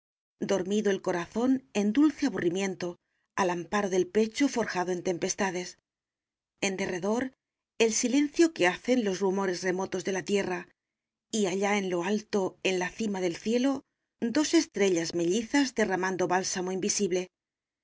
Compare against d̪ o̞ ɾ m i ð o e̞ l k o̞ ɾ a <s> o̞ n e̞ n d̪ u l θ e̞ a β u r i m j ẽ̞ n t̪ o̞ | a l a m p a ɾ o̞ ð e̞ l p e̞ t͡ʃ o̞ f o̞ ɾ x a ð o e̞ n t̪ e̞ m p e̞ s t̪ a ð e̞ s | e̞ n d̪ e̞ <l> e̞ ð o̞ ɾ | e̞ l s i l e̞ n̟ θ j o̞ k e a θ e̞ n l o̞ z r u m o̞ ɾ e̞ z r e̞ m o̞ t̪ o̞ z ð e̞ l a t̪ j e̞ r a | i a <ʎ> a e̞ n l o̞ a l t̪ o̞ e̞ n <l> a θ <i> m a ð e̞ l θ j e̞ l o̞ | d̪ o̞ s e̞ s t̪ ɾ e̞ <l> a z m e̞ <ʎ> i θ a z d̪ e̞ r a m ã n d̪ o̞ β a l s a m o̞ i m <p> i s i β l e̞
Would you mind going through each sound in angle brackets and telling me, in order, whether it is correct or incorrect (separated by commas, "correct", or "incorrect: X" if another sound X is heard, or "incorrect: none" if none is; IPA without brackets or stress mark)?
incorrect: θ, incorrect: r, correct, correct, correct, incorrect: ʎ, correct, incorrect: b